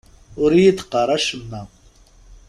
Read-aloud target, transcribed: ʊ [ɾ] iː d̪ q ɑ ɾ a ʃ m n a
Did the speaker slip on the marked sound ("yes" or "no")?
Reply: no